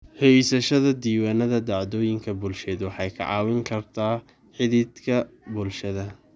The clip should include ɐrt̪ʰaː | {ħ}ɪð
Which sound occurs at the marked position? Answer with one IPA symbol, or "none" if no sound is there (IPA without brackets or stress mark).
ħ